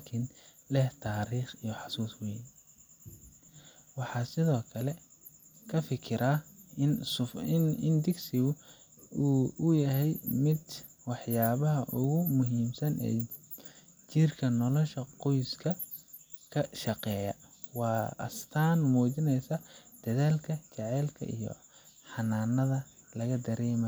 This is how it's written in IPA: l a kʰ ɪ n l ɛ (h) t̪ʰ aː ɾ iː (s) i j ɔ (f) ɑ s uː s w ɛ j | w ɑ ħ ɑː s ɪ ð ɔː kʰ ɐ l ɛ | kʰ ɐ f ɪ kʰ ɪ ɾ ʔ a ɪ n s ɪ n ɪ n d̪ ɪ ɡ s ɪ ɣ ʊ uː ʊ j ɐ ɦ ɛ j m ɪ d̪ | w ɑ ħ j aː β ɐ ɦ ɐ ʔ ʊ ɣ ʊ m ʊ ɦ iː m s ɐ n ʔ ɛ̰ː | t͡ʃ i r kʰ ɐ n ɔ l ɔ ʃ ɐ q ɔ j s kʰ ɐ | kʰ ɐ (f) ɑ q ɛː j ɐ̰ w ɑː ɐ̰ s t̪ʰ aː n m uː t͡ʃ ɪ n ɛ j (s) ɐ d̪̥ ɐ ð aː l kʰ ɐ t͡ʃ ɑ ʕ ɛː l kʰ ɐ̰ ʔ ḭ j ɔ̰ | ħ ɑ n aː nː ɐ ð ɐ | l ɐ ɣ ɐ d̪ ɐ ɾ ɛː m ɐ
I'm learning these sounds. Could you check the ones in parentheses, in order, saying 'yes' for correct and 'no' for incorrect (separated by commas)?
yes, no, no, no, yes